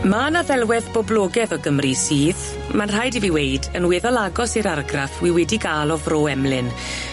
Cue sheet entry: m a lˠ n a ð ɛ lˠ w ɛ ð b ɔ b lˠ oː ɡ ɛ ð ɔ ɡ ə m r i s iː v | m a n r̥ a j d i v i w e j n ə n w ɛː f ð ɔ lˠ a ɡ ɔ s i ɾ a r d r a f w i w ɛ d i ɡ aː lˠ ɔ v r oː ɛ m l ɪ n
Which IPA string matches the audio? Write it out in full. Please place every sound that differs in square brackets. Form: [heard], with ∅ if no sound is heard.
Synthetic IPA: m a [∅] n a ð ɛ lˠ w ɛ ð b ɔ b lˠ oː ɡ ɛ ð ɔ ɡ ə m r i s iː [ð] | m a n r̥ a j d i v i w e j [d] ə n w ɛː [∅] ð ɔ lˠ a ɡ ɔ s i ɾ a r [ɡ] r a f w i w ɛ d i ɡ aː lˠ ɔ v r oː ɛ m l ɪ n